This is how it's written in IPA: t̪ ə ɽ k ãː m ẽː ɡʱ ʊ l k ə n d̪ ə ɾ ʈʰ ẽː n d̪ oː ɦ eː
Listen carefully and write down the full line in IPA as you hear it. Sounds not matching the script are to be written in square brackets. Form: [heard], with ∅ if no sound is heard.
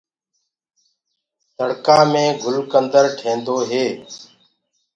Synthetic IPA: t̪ ə ɽ k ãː m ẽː ɡʱ ʊ l k ə n d̪ ə ɾ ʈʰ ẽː n d̪ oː ɦ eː